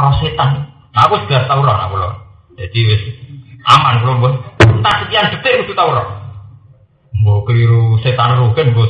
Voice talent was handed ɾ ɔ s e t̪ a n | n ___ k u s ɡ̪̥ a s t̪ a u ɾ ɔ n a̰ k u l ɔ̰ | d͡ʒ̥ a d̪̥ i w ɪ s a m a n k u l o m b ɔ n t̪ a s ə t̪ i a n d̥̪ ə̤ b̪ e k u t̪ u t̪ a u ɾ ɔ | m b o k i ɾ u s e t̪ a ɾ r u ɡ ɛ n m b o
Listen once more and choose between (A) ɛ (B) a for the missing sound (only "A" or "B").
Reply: B